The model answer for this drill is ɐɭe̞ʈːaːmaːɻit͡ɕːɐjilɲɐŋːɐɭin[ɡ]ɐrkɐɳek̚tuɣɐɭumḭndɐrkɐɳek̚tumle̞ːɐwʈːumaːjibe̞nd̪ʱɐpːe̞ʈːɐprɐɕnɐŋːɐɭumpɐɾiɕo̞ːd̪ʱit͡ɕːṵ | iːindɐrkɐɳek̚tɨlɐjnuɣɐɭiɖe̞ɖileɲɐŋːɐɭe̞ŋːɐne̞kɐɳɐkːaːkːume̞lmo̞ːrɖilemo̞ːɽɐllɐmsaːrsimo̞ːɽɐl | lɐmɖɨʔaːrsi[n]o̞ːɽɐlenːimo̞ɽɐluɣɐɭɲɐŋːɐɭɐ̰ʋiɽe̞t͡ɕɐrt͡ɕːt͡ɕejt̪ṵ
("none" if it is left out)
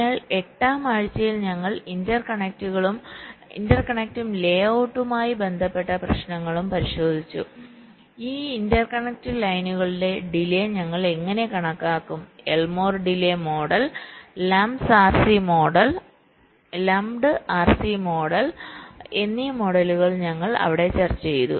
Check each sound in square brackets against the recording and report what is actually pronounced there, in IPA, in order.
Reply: d, m

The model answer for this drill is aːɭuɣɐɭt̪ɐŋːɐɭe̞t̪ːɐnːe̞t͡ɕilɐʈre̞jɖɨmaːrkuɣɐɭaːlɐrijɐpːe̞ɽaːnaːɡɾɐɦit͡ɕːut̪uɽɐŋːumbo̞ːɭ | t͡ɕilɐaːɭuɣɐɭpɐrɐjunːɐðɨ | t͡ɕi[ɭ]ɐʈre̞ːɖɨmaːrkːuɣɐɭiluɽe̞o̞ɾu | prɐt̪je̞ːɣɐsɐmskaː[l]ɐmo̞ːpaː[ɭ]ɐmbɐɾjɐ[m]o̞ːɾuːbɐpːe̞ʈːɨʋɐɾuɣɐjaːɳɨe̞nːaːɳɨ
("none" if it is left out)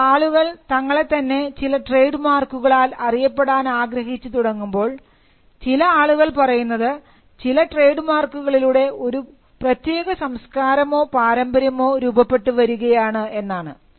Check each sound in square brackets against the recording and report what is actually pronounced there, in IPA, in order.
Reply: l, ɾ, ɾ, m

